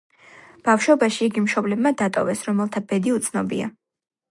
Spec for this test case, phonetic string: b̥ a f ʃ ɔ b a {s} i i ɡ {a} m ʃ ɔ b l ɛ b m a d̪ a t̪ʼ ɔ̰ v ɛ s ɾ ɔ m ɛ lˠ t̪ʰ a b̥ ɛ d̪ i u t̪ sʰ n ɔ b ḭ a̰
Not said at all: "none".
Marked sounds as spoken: ʃ, i

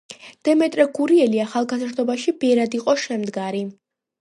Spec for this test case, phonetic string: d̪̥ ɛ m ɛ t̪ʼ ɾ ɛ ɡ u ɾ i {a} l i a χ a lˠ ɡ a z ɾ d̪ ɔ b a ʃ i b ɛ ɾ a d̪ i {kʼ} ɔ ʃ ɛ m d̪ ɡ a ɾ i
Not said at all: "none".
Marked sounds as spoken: ɛ, qʼ

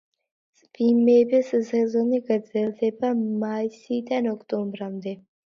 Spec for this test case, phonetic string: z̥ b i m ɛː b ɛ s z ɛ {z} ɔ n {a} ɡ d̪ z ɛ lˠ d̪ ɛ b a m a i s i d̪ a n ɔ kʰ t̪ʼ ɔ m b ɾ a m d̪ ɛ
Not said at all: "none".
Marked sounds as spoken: z, i

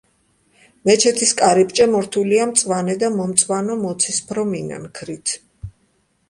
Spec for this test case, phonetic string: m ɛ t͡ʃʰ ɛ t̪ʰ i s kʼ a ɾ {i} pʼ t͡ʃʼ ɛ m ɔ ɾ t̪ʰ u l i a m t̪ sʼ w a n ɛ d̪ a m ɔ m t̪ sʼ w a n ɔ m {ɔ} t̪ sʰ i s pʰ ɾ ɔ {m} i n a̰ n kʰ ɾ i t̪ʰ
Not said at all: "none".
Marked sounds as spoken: i, ɔ, m

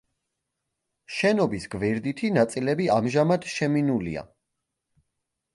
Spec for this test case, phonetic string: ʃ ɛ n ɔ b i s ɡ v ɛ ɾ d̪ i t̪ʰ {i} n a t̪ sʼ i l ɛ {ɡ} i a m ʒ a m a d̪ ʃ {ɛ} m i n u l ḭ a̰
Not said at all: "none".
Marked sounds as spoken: i, b, ɛ

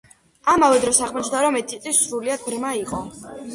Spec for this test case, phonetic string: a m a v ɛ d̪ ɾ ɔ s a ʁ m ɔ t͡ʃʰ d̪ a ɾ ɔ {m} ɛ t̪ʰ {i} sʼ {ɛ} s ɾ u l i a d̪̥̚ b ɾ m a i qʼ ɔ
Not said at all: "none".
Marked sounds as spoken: m, i, i

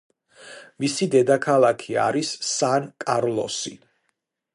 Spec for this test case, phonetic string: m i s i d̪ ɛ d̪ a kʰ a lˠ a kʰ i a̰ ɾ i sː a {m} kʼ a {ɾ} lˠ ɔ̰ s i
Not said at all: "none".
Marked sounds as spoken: n, ɾ

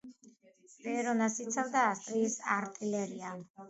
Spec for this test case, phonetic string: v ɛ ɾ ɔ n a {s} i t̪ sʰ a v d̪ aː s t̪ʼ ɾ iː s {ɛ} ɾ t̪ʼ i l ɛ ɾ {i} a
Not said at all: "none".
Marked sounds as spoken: s, a, i

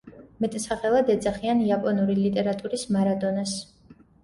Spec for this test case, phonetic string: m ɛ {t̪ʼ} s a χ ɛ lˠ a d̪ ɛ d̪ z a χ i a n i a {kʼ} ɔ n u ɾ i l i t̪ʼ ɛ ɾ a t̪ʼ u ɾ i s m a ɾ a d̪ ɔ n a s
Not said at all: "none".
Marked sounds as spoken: t̪ʼ, pʼ

